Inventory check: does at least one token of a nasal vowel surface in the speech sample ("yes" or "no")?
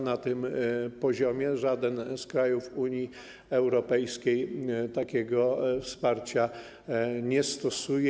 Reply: no